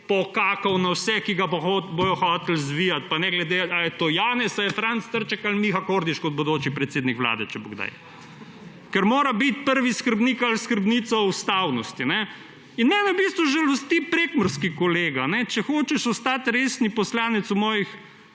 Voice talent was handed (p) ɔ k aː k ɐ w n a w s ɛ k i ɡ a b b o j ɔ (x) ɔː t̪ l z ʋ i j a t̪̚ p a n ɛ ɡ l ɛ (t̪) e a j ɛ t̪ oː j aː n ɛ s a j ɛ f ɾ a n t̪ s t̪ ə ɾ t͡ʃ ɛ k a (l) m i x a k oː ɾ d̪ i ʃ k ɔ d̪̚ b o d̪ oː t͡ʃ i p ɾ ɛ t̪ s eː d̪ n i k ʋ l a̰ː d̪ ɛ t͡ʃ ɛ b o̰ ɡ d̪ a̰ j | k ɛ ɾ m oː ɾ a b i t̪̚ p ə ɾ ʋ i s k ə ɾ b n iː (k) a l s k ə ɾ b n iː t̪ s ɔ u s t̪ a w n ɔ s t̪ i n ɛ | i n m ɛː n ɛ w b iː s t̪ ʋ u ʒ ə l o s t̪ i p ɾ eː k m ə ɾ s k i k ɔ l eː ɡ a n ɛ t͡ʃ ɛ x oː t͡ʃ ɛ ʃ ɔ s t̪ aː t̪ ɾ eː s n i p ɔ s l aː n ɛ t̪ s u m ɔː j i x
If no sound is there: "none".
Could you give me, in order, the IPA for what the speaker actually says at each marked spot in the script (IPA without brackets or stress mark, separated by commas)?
p, x, d̪, l, k